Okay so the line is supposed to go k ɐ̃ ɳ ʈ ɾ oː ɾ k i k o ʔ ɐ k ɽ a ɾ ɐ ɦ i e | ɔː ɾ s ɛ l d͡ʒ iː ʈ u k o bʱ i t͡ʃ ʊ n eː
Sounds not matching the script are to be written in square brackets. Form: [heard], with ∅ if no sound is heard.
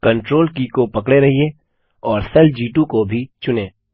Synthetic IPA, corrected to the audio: k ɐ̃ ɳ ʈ ɾ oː [l] k i k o [p] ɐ k ɽ [e] ɾ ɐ ɦ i e | ɔː ɾ s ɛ l d͡ʒ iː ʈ u k o bʱ i t͡ʃ ʊ n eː